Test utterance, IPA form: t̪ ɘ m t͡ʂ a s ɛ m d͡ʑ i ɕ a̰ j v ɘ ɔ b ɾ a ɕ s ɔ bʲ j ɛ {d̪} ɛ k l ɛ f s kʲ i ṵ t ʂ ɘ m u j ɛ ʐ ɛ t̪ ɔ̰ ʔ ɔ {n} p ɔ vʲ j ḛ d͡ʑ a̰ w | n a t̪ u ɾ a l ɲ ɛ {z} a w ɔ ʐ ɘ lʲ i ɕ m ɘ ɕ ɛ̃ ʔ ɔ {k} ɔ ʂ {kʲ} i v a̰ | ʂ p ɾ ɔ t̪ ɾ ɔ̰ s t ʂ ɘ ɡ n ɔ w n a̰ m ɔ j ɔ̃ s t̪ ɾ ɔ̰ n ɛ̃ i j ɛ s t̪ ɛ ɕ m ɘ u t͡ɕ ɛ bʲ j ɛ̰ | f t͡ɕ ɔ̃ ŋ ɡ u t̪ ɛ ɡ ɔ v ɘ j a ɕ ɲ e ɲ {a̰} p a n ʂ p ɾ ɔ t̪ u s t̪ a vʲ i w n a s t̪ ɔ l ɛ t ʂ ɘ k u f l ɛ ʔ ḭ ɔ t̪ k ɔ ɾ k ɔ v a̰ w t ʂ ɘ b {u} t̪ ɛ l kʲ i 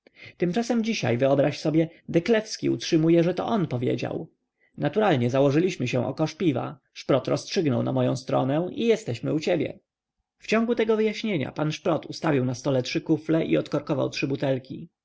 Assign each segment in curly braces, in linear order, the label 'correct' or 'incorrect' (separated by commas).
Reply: correct, correct, correct, correct, incorrect, correct, correct